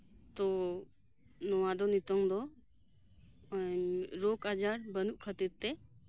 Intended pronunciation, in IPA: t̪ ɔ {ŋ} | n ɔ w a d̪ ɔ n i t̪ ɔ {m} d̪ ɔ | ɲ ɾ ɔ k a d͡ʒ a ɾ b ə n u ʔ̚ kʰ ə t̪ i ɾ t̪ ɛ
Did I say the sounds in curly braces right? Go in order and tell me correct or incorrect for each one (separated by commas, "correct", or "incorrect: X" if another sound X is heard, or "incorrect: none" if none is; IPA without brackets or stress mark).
incorrect: none, incorrect: ŋ